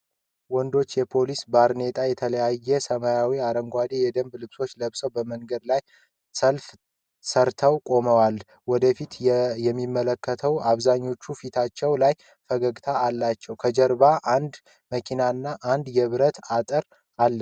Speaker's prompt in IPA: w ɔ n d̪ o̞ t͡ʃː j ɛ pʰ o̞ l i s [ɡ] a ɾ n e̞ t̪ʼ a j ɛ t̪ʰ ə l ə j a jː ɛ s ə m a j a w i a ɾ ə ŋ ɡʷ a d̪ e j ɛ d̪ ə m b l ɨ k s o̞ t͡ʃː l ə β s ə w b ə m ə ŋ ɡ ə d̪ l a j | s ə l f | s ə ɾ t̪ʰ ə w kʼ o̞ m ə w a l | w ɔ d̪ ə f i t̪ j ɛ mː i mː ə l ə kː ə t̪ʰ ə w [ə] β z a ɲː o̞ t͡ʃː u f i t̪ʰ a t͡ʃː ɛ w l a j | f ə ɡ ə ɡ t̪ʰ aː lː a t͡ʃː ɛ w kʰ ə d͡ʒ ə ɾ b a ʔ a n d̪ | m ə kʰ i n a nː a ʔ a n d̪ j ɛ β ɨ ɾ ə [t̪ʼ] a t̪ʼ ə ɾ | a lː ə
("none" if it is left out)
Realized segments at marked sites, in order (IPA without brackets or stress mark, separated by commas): b, a, t̪